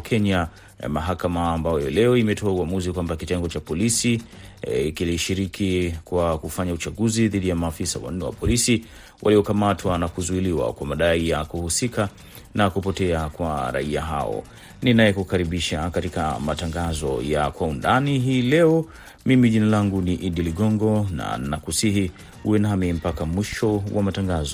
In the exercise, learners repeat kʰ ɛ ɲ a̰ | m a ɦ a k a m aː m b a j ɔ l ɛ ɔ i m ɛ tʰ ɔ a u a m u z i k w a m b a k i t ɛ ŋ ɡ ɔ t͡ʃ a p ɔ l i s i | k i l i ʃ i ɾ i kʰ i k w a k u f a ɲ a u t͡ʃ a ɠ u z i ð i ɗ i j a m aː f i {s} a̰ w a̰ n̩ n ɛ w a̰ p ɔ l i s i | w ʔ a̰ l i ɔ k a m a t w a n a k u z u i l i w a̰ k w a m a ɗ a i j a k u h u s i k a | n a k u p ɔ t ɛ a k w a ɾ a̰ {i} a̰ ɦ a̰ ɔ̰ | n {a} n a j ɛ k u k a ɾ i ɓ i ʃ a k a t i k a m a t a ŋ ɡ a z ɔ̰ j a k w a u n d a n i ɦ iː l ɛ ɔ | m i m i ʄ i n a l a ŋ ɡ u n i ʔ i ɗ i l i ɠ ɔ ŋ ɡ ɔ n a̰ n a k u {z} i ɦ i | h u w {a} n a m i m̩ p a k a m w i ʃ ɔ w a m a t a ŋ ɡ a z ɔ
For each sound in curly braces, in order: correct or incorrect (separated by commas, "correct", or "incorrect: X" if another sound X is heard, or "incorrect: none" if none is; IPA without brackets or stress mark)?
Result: correct, correct, incorrect: i, incorrect: s, incorrect: ɛ